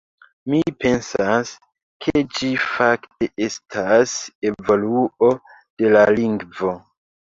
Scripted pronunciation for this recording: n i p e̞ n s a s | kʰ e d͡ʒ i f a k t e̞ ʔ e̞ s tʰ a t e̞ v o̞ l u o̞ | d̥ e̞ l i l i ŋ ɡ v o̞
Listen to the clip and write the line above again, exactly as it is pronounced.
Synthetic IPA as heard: m i p e̞ n s a s | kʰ e d͡ʒ i f a k t e̞ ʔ e̞ s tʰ a s e̞ v o̞ l u o̞ | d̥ e̞ l a l i ŋ ɡ v o̞

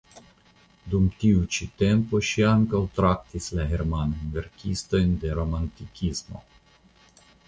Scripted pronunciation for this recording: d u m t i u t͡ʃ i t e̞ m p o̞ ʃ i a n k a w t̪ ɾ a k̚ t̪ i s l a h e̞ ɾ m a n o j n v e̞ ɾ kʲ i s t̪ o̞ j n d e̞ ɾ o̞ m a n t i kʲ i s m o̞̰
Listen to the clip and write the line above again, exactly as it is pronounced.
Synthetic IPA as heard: d u m t i u t͡ʃ i t e̞ m p o̞ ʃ i a ŋ k a w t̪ ɾ a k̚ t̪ i s l a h e̞ ɾ m a n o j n v e̞ ɾ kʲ i s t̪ o̞ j n d e̞ ɾ o̞ m a n t i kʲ i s m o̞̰

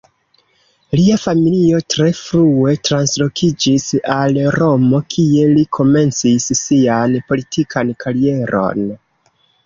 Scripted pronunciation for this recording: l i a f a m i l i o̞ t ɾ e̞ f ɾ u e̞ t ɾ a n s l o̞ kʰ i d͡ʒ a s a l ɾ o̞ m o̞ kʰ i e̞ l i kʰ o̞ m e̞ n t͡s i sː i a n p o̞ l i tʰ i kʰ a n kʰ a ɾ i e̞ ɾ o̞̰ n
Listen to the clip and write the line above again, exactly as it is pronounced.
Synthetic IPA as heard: l i a f a m i l i o̞ t ɾ e̞ f ɾ u e̞ t ɾ a n s l o̞ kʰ i d͡ʒ i s a l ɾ o̞ m o̞ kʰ i e̞ l i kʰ o̞ m e̞ n t͡s i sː i a n p o̞ l i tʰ i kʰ a n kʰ a ɾ i e̞ ɾ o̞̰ n

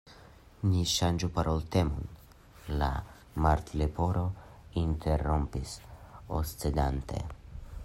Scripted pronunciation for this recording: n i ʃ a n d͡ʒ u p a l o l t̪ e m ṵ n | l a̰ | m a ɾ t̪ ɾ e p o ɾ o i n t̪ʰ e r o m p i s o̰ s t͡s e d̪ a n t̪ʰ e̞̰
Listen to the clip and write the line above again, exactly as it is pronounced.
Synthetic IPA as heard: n i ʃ a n d͡ʒ u p a ɾ o l t̪ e m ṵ n | l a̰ | m a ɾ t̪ l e p o ɾ o i n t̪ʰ e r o m p i s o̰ s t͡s e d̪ a n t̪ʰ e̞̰

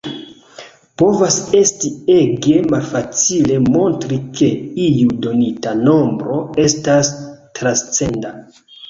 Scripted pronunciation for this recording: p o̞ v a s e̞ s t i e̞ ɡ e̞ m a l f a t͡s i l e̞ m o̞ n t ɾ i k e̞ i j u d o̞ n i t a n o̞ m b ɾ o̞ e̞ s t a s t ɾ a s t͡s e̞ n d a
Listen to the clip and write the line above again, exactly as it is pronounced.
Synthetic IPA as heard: p o̞ v a s e̞ s t i e̞ ɡ e̞ m a l f a t͡s i l e̞ m o̞ n t ɾ i k e̞ i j u d o̞ n i t a n o̞ m b ɾ o̞ e̞ s t a s t ɾ a s t͡s e̞ n d a

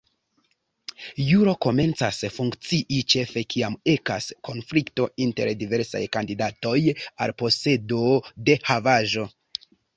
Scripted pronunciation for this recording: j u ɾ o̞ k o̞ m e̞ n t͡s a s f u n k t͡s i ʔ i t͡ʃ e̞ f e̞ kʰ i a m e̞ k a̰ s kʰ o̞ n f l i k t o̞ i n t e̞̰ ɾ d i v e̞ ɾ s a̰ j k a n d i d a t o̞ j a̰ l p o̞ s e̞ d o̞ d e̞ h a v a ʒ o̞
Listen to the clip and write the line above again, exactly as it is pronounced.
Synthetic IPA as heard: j u ɾ o̞ k o̞ m e̞ n t͡s a s f u ŋ k t͡s i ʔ i t͡ʃ e̞ f e̞ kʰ i a m e̞ k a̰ s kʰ o̞ n f l i k t o̞ i n t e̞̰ ɾ d i v e̞ ɾ s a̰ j k a n d i d a t o̞ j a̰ l p o̞ s e̞ d o̞ d e̞ h a v a ʒ o̞

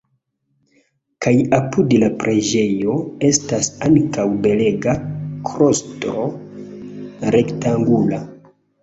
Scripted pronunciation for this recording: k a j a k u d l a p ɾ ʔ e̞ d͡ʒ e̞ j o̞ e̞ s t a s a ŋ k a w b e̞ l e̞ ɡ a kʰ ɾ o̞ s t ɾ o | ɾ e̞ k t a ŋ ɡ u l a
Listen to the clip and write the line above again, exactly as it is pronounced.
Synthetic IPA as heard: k a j a p u d l a p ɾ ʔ e̞ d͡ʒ e̞ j o̞ e̞ s t a s a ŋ k a w b e̞ l e̞ ɡ a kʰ ɾ o̞ s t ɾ o | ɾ e̞ k t a ŋ ɡ u l a

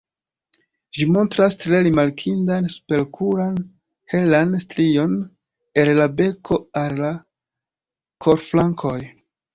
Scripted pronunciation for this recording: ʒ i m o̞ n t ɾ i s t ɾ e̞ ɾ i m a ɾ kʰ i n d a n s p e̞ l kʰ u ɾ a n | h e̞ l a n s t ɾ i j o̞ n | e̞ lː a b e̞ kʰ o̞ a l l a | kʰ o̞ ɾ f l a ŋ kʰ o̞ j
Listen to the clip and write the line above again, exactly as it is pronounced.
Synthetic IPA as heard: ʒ i m o̞ n t ɾ a s t ɾ e̞ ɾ i m a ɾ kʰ i n d a n s p e̞ l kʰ u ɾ a n | h e̞ l a n s t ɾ i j o̞ n | e̞ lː a b e̞ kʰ o̞ a l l a | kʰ o̞ ɾ f l a ŋ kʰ o̞ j

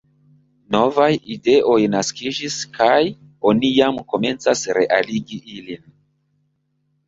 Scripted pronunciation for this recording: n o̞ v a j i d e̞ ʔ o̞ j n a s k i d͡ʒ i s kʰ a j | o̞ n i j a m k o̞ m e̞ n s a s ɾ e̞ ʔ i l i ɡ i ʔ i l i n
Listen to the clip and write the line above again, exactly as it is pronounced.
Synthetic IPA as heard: n o̞ v a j i d e̞ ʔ o̞ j n a s k i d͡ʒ i s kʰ a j | o̞ n i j a m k o̞ m e̞ n t͡s a s ɾ e̞ ʔ a l i ɡ i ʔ i l i n

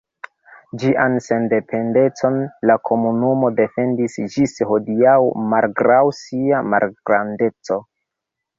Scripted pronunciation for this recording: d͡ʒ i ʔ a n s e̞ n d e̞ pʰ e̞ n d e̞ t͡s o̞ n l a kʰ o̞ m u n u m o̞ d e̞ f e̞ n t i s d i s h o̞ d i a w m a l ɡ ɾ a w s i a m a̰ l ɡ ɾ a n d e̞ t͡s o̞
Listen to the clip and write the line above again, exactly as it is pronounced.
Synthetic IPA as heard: d͡ʒ i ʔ a n s e̞ n d e̞ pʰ e̞ n d e̞ t͡s o̞ n l a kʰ o̞ m u n u m o̞ d e̞ f e̞ n d i s d͡ʒ i s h o̞ d i a w m a l ɡ ɾ a w s i a m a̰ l ɡ ɾ a n d e̞ t͡s o̞

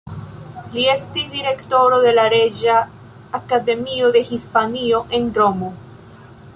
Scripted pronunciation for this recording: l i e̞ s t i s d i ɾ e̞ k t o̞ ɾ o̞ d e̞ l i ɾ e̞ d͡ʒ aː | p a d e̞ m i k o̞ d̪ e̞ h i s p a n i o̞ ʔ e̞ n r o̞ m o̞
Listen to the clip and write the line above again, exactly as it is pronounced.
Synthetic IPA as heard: l i e̞ s t i s d i ɾ e̞ k t o̞ ɾ o̞ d e̞ l a ɾ e̞ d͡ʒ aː | k a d e̞ m i o̞ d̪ e̞ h i s p a n i o̞ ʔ e̞ n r o̞ m o̞

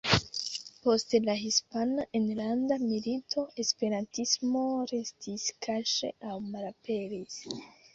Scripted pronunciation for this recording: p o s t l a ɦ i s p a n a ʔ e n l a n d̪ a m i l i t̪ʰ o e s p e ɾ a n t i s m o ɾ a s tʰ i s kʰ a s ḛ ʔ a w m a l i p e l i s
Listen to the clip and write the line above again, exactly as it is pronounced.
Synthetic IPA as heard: p o s t l a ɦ i s p a n a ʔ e n l a n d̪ a m i l i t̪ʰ o e s p e ɾ a n t i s m o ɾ e s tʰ i s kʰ a ʃ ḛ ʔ a w m a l a p e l i s

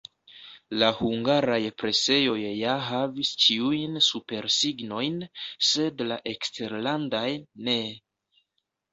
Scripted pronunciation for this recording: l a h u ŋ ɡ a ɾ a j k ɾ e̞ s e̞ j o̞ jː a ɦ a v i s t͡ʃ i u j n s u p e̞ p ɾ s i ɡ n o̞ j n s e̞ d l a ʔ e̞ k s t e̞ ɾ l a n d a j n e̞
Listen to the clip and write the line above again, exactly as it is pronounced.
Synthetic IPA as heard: l a h u ŋ ɡ a ɾ a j p ɾ e̞ s e̞ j o̞ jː a ɦ a v i s t͡ʃ i u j n s u p e̞ ɾ s i ɡ n o̞ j n s e̞ d l a ʔ e̞ k s t e̞ ɾ l a n d a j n e̞

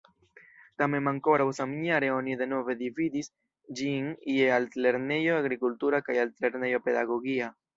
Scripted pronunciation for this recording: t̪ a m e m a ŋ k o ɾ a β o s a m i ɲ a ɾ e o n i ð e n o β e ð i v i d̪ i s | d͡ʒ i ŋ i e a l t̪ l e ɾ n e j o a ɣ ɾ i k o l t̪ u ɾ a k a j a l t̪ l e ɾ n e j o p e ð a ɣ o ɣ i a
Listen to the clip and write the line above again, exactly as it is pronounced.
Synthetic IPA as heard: t̪ a m e m a ŋ k o ɾ a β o s a m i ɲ a ɾ e o n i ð e n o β e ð i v i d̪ i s | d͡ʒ i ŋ i e a l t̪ l e ɾ n e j o a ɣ ɾ i k u l t̪ u ɾ a k a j a l t̪ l e ɾ n e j o p e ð a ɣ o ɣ i a

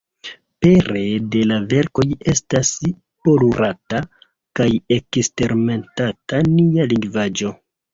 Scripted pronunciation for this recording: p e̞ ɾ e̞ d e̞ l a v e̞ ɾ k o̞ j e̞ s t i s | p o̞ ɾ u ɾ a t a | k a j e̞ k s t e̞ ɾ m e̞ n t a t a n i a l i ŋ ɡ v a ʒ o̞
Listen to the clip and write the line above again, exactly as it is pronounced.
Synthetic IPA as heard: p e̞ ɾ e̞ d e̞ l a v e̞ ɾ k o̞ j e̞ s t a s | p o̞ l u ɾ a t a | k a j e̞ k s t e̞ ɾ m e̞ n t a t a n i a l i ŋ ɡ v a d͡ʒ o̞

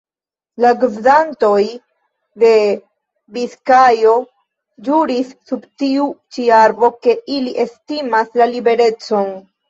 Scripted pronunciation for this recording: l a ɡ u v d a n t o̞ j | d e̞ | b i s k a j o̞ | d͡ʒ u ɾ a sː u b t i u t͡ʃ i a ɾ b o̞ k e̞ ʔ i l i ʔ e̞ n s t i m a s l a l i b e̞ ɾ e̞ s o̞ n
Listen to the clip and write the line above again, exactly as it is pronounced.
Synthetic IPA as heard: l a ɡ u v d a n t o̞ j | d e̞ | b i s k a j o̞ | d͡ʒ u ɾ i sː u b t i u t͡ʃ i a ɾ b o̞ k e̞ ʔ i l i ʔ e̞ s t i m a s l a l i b e̞ ɾ e̞ t͡s o̞ n

